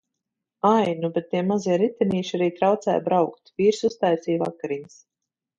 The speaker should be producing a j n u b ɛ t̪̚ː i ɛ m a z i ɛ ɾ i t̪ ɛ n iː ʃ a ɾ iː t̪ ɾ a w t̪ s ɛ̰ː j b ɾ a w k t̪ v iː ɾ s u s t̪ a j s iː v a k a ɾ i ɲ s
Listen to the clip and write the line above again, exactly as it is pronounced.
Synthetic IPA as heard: a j n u b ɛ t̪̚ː i ɛ m a z i ɛ ɾ i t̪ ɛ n iː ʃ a ɾ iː t̪ ɾ a w t̪ s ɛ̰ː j b ɾ a w k t̪ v iː ɾ s u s t̪ a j s iː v a k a ɾ i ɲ s